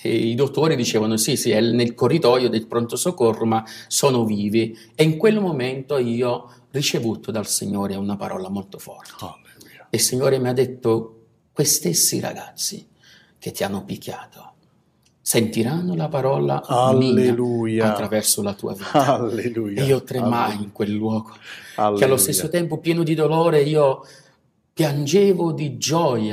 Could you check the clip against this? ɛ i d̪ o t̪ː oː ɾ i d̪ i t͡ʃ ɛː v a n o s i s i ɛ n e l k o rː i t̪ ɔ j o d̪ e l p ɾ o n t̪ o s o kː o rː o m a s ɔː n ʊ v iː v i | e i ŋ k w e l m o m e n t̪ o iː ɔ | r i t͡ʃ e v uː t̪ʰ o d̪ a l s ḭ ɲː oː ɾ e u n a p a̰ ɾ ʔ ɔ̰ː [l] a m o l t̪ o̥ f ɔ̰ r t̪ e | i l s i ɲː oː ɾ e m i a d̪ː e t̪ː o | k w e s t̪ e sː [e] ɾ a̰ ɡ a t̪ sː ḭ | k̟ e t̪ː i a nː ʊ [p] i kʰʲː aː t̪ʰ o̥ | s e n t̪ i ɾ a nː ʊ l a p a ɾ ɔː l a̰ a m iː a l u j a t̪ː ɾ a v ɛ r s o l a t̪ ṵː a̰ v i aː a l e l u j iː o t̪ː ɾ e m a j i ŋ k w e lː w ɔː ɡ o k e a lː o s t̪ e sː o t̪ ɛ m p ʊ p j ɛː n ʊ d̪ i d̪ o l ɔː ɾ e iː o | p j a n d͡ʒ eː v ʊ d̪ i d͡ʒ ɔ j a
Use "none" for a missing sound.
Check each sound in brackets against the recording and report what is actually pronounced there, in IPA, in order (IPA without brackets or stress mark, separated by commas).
l, i, p